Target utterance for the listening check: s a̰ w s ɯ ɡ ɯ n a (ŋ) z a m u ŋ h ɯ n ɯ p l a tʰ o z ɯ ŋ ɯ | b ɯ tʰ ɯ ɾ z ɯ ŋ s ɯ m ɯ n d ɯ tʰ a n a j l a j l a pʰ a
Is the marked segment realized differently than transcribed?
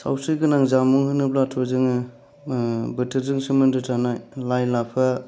no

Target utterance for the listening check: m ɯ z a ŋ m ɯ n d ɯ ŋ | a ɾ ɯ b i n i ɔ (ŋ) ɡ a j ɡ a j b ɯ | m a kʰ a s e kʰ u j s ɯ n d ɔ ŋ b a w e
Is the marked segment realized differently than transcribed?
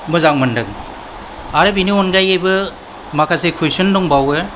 yes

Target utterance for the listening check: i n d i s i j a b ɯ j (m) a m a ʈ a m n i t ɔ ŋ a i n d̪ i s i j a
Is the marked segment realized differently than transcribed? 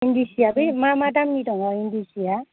no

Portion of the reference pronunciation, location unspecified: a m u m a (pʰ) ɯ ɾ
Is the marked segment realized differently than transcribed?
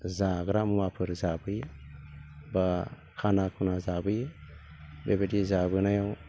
no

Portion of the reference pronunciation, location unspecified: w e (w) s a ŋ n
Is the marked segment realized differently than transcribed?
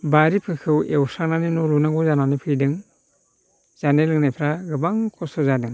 no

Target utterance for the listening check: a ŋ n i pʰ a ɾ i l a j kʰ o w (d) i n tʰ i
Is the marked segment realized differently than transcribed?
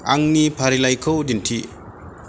no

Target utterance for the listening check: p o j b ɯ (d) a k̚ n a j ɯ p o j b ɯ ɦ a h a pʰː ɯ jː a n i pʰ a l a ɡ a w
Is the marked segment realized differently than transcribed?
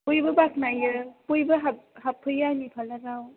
yes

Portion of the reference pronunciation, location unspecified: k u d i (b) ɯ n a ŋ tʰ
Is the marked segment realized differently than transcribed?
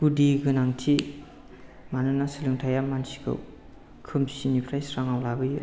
yes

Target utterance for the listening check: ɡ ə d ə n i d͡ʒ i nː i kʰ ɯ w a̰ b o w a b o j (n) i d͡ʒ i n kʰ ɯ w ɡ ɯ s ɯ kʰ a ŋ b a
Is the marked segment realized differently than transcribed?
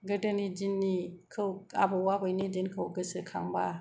no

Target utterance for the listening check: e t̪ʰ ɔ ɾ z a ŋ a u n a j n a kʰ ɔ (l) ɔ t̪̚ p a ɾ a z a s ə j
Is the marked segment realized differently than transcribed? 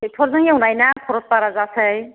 yes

